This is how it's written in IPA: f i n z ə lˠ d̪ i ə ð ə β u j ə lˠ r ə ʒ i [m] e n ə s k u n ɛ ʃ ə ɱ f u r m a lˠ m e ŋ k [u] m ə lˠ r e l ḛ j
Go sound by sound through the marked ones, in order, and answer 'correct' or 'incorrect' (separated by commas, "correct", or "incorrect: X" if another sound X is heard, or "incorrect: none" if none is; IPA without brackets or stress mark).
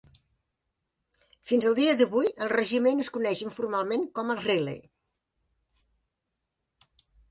correct, incorrect: ɔ